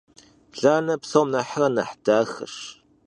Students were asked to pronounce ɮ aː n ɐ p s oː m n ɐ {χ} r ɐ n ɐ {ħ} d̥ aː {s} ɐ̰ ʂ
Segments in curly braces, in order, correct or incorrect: incorrect: ħ, correct, incorrect: x

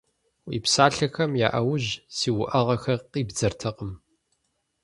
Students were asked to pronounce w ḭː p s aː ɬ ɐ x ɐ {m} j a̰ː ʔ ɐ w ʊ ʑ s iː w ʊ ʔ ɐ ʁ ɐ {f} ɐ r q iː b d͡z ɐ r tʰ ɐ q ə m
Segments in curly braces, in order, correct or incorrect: correct, incorrect: x

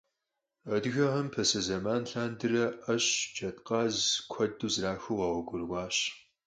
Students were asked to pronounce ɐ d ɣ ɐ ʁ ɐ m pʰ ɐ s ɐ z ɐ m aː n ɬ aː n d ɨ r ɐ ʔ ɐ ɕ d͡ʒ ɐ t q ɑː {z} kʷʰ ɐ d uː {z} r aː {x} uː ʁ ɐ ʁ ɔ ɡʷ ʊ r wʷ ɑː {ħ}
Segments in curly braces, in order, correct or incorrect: correct, correct, correct, incorrect: ɕ

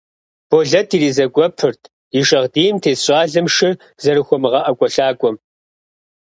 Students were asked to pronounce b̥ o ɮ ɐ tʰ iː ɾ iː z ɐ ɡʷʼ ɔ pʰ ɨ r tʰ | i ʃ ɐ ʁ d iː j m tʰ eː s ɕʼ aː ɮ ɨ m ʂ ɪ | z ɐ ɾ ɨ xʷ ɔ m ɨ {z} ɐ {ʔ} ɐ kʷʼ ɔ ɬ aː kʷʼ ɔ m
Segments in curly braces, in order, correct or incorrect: incorrect: ʁ, correct

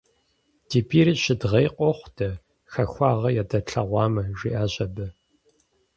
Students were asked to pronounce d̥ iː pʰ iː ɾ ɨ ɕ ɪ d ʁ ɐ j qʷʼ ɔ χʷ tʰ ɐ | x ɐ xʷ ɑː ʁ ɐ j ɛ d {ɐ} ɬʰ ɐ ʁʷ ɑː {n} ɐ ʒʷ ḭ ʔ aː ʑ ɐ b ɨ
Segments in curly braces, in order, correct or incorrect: correct, incorrect: m

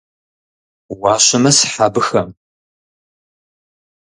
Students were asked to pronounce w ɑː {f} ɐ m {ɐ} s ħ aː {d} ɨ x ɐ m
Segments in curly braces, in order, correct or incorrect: incorrect: ɕ, correct, incorrect: b

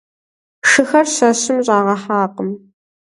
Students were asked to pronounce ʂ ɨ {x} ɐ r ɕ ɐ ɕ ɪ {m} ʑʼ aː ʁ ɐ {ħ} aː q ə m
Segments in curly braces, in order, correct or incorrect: correct, correct, correct

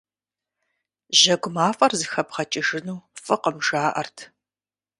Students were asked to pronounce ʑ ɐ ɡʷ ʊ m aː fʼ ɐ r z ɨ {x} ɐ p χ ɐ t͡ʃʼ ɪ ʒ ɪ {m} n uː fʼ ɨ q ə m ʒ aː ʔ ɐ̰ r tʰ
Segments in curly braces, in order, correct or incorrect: correct, incorrect: none

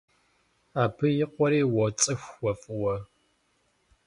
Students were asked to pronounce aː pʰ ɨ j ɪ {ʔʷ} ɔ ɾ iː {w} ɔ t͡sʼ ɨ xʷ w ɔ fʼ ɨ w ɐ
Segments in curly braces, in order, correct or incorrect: incorrect: qʷ, correct

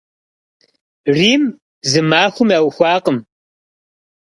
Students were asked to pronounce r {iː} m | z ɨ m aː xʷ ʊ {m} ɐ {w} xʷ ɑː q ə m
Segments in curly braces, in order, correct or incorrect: correct, correct, correct

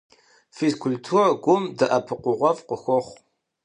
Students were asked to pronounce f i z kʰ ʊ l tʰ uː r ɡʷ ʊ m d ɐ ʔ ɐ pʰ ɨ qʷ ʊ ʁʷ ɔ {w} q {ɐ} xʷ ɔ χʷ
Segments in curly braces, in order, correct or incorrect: incorrect: v, incorrect: ə

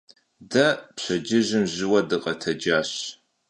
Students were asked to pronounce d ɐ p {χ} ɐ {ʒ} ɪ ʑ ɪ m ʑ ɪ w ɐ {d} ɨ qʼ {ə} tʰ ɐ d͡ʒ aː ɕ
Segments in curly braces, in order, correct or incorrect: incorrect: ɕ, incorrect: d͡ʒ, correct, incorrect: ɐ

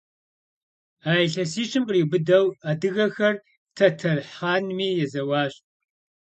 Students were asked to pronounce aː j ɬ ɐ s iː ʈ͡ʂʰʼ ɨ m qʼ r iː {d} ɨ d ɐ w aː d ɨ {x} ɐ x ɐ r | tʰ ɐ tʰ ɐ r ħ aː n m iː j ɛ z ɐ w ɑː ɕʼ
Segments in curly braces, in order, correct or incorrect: incorrect: b, incorrect: ɣ

